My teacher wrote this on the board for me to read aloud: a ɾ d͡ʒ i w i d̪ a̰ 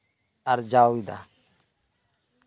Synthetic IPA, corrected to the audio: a ɾ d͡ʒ a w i d̪ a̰